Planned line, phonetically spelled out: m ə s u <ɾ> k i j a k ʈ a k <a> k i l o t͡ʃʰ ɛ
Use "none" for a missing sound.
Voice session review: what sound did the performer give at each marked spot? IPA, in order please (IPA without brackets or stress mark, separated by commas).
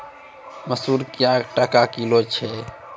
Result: ɾ, a